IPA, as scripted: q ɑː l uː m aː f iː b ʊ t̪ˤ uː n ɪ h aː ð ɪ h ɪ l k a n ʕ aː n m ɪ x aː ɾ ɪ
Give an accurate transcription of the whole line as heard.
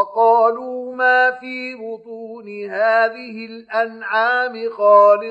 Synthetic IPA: q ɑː l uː m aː f iː b ʊ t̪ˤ uː n ɪ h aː ð ɪ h ɪ l ʔ a n ʕ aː m ɪ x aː l ɪ